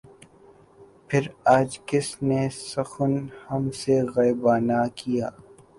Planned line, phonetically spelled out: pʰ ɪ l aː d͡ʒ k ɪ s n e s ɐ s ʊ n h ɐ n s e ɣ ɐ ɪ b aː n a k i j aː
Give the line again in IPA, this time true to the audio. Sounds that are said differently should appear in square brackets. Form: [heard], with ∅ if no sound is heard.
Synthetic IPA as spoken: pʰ ɪ [ɾ] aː d͡ʒ k ɪ s n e s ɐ [x] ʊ n h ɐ [m] s e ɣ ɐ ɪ b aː n a k i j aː